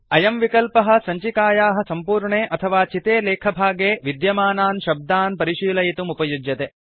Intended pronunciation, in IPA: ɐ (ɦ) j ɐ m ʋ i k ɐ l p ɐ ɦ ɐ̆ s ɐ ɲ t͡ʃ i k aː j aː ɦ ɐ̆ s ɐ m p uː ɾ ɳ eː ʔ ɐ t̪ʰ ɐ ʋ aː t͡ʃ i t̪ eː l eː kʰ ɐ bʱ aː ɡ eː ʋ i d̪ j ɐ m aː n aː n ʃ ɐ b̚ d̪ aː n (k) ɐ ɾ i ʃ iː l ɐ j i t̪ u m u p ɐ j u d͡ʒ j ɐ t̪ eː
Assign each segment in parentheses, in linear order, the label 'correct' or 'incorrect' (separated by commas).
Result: incorrect, incorrect